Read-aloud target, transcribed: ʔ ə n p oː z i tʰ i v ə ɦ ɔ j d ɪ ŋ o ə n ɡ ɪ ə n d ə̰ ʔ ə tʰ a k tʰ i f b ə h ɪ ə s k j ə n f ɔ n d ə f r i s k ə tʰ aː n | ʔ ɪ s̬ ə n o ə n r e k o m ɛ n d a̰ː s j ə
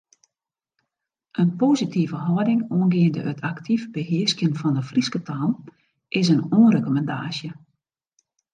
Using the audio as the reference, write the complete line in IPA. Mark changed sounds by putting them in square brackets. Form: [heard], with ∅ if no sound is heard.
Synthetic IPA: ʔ ə n p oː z i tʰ i v ə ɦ ɔ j d ɪ ŋ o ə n ɡ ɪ ə n d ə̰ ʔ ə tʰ a k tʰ i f b ə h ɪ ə s k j ə n f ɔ n d ə f r i s k ə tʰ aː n | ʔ ɪ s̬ ə n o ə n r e k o m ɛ n d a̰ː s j ə